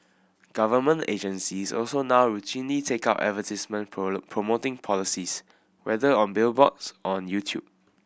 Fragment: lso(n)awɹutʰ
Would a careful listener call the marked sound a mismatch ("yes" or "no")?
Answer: no